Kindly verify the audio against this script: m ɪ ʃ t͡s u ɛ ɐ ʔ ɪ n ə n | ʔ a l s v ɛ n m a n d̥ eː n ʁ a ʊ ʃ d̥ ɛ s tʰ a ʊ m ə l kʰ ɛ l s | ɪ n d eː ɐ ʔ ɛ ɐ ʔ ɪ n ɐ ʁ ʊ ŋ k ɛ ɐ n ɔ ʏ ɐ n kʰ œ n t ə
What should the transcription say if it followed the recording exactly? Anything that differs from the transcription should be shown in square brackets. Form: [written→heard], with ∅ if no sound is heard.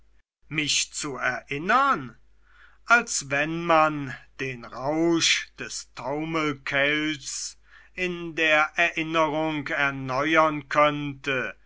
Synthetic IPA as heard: m ɪ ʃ t͡s u ɛ ɐ ʔ ɪ n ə n | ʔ a l s v ɛ n m a n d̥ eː n ʁ a ʊ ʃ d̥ ɛ s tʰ a ʊ m ə l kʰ ɛ l s | ɪ n d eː ɐ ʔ ɛ ɐ ʔ ɪ n [ɐ→ə] ʁ ʊ ŋ k ɛ ɐ n ɔ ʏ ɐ n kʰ œ n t ə